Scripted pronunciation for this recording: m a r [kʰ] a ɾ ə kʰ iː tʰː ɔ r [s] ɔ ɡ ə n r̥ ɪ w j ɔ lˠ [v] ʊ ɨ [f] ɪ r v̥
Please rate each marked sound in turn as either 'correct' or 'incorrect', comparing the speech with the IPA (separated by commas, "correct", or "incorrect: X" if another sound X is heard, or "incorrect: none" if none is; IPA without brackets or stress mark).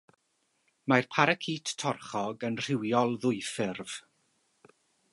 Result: incorrect: pʰ, incorrect: χ, incorrect: ð, correct